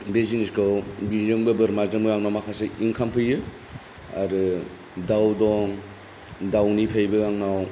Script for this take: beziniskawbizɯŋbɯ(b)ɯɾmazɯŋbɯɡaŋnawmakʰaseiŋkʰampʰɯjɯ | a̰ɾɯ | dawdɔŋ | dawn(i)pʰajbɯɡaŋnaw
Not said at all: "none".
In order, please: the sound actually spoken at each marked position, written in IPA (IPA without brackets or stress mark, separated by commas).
b, i